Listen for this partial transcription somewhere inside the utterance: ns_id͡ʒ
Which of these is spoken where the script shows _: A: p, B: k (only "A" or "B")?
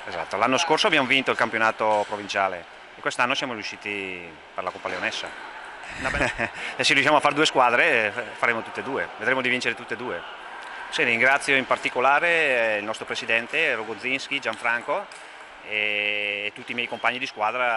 B